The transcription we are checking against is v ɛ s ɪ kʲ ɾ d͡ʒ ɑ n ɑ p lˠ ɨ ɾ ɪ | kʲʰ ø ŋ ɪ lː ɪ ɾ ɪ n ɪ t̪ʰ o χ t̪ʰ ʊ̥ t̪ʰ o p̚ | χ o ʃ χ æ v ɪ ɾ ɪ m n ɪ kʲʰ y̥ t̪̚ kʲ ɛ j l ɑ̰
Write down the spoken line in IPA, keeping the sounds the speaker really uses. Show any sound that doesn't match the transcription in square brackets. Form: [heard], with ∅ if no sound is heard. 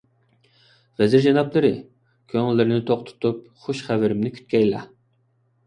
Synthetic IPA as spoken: v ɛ [z] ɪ [∅] ɾ d͡ʒ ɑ n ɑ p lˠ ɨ ɾ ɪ | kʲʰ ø ŋ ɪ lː ɪ ɾ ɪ n ɪ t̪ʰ o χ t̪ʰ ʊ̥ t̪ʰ [u] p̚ | χ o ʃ χ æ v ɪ ɾ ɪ m n ɪ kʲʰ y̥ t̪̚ kʲ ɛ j l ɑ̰

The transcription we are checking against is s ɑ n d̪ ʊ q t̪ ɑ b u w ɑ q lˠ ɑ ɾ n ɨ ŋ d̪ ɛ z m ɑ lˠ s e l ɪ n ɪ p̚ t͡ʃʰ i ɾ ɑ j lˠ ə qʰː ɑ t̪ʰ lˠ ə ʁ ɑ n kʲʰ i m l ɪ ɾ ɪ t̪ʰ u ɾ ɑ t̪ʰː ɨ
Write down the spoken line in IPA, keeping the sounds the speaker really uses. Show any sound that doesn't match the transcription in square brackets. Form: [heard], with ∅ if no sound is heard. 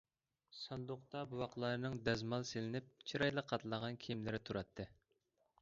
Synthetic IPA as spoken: s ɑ n d̪ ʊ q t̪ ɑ b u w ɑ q lˠ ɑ ɾ n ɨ ŋ d̪ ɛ z m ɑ lˠ s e l ɪ n ɪ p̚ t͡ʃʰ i ɾ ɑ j lˠ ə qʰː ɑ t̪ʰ lˠ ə ʁ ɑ n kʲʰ i m l ɪ ɾ ɪ t̪ʰ u ɾ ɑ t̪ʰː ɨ

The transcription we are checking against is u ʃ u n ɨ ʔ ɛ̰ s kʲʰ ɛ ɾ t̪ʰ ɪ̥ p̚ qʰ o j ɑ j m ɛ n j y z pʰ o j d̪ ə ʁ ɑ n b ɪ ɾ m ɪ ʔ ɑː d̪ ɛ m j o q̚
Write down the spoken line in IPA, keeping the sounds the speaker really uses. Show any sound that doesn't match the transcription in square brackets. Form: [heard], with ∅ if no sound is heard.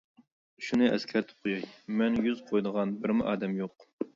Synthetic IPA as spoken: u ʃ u n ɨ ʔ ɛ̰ s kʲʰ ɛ ɾ t̪ʰ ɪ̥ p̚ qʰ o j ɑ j m ɛ n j y z [qʰ] o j d̪ ə ʁ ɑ n b ɪ ɾ m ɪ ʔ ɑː d̪ ɛ m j o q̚

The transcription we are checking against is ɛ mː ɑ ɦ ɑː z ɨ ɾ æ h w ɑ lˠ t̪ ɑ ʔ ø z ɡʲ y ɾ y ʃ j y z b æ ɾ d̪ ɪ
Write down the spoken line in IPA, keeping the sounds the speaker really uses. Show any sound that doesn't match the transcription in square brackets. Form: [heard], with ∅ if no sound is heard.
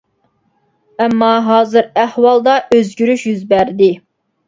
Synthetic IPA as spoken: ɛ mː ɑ ɦ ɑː z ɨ ɾ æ h w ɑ lˠ [d̪] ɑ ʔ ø z ɡʲ y ɾ y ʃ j y z b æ ɾ d̪ ɪ

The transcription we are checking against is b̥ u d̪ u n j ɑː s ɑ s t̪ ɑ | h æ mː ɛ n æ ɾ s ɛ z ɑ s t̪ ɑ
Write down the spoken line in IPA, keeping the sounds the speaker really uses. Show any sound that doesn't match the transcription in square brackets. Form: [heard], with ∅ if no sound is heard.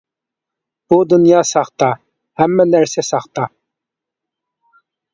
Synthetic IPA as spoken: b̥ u d̪ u n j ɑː s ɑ [χ] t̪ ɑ | h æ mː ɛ n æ ɾ s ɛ [s] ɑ [χ] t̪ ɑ

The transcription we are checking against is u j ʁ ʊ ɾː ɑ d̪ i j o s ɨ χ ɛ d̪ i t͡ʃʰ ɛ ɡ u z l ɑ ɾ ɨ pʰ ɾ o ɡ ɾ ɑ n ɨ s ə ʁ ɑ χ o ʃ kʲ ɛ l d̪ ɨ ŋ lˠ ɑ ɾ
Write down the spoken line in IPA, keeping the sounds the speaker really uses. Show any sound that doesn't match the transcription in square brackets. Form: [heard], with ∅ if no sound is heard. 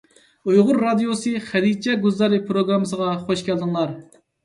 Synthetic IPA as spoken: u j ʁ ʊ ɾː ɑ d̪ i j o s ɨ χ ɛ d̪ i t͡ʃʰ ɛ ɡ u z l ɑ ɾ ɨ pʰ ɾ o ɡ ɾ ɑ [m] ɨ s ə ʁ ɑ χ o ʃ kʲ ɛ l d̪ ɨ ŋ lˠ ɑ ɾ

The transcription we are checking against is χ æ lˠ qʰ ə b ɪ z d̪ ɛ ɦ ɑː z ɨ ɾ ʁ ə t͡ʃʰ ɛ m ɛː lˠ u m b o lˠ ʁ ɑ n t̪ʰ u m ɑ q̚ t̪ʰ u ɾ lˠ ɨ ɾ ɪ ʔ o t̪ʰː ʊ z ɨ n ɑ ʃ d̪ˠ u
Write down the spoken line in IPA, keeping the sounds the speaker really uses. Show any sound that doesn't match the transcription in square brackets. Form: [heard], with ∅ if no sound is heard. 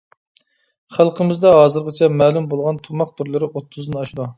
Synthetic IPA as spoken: χ æ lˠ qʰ ə [m] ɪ z d̪ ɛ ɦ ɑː z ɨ ɾ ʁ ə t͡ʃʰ ɛ m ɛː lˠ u m b o lˠ ʁ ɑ n t̪ʰ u m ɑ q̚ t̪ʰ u ɾ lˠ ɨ ɾ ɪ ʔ o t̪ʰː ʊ z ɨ n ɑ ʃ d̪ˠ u

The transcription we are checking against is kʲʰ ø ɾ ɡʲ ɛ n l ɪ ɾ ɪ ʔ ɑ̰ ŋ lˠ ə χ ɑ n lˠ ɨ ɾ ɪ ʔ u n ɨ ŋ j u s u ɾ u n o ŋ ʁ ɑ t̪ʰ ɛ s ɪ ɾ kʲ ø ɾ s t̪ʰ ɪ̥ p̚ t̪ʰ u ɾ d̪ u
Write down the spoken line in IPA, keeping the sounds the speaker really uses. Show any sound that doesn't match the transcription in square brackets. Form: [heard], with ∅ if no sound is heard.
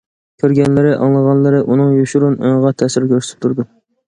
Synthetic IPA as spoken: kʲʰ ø ɾ ɡʲ ɛ n l ɪ ɾ ɪ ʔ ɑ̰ ŋ lˠ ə [ʁ] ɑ n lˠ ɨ ɾ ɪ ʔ u n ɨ ŋ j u [ʃ] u ɾ u n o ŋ ʁ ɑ t̪ʰ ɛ s ɪ ɾ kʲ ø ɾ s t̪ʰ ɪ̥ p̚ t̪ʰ u ɾ d̪ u

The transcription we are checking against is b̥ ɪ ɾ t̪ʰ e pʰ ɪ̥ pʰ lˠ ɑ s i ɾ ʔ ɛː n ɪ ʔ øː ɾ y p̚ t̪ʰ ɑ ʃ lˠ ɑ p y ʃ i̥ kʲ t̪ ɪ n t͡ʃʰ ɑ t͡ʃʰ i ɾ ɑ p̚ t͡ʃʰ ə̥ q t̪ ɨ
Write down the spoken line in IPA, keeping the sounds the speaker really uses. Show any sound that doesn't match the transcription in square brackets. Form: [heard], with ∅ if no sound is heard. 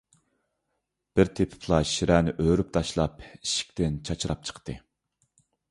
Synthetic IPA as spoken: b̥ ɪ ɾ t̪ʰ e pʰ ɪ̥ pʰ lˠ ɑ [ʃ] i ɾ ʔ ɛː n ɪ ʔ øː ɾ y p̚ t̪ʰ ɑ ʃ lˠ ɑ p [i] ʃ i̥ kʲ t̪ ɪ n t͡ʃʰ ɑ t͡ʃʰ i ɾ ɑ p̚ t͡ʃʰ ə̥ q t̪ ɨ

